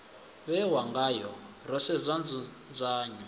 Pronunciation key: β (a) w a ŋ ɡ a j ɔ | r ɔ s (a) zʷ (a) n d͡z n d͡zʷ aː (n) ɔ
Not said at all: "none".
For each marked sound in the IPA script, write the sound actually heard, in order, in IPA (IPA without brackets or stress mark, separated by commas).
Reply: ɛ, ɛ, a, ɲ